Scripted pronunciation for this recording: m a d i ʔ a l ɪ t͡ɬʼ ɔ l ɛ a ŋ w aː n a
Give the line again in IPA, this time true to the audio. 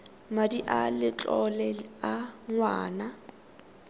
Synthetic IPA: m a d i ʔ a l ɪ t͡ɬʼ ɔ l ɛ a ŋ w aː n a